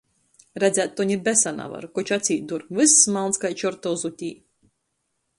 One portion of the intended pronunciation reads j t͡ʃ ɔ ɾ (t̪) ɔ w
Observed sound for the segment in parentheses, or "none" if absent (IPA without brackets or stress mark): t̪